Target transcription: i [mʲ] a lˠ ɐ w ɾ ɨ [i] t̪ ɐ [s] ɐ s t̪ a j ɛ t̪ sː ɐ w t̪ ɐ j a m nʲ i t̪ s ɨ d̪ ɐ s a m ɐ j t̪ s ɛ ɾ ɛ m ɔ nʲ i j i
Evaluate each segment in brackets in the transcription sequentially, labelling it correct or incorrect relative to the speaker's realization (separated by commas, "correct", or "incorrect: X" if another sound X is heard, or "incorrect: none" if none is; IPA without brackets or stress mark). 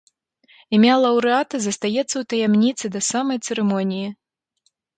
correct, incorrect: a, incorrect: z